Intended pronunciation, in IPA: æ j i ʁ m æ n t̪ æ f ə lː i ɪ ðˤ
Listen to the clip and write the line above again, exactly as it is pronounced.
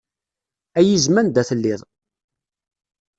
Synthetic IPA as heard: æ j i z m æ n d̪ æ θ ə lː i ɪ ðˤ